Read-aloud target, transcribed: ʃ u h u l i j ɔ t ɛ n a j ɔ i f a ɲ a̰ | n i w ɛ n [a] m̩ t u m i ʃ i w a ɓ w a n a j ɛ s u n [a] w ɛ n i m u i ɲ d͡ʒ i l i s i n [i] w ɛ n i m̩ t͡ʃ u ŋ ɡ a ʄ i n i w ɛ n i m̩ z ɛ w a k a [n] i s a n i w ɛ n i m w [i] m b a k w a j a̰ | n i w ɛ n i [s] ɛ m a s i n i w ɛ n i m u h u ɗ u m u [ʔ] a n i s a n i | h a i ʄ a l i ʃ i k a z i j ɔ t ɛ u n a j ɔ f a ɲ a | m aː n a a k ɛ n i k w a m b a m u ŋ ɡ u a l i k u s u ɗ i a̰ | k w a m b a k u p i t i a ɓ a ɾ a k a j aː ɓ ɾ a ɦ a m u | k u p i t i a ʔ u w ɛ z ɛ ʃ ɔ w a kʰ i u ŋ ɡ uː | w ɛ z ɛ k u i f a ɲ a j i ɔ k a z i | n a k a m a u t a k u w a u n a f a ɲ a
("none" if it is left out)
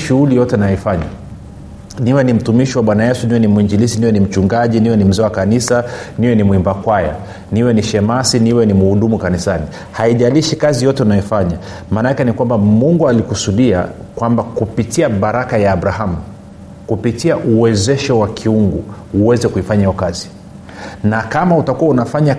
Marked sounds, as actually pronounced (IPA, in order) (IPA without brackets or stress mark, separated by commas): i, i, i, n, i, ʃ, k